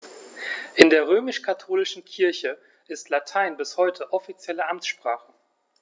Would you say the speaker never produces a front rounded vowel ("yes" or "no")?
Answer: no